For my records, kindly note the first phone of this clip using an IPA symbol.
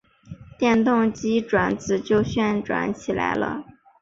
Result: t̪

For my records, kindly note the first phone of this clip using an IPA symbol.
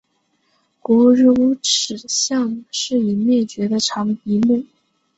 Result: k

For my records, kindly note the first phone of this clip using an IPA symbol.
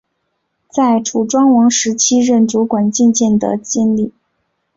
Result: t͡s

